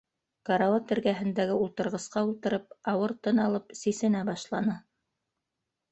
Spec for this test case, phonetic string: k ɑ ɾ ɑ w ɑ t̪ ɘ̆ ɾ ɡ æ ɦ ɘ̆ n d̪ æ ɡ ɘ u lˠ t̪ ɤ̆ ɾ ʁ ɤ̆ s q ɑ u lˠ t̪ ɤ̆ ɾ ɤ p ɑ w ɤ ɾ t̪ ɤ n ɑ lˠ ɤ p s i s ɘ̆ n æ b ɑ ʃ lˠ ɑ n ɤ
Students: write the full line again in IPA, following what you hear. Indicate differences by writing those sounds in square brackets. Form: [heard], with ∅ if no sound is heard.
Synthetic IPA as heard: k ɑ ɾ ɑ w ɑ t̪ ɘ̆ ɾ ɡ æ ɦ ɘ̆ n d̪ æ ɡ ɘ u lˠ t̪ ɤ̆ ɾ ʁ ɤ̆ s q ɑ u lˠ t̪ ɤ̆ ɾ ɤ p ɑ w ɤ ɾ t̪ ɤ n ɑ lˠ ɤ p s i s ɘ̆ n æ b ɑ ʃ lˠ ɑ n ɤ